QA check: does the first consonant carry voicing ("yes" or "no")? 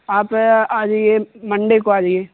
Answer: no